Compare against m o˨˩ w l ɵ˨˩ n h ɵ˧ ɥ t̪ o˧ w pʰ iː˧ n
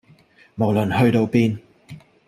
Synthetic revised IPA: m o˨˩ w l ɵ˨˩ n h ɵ˧ ɥ t̪ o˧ w p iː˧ n